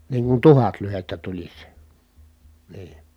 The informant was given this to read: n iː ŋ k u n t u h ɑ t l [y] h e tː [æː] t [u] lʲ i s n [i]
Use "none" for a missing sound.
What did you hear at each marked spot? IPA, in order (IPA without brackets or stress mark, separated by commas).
y, æ, u, iː